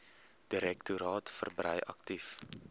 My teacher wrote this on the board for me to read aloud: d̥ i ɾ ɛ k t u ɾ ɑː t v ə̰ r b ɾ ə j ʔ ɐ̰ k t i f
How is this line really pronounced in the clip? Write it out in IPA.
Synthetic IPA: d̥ i ɾ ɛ k t u ɾ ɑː t f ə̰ r b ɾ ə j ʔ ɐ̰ k t i f